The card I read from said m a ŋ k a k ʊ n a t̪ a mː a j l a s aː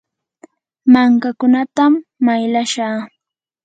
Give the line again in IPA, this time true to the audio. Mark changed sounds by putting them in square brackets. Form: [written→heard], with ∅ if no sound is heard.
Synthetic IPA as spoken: m a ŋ k a k ʊ n a t̪ a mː a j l a [s→ʃ] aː